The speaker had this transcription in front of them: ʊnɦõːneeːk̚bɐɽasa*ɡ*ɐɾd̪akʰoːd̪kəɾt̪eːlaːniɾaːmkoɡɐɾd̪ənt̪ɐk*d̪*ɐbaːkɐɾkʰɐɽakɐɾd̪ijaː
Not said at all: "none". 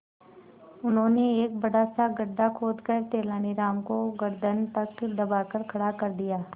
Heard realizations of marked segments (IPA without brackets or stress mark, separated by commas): ɡ, d̪